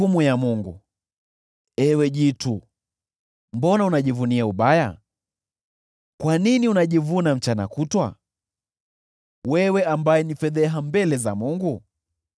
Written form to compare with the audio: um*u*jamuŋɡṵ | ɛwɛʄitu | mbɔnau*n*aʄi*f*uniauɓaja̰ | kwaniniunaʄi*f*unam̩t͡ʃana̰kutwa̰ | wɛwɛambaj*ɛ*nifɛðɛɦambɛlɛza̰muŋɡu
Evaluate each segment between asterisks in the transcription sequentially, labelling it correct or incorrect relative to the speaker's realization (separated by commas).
correct, correct, incorrect, incorrect, correct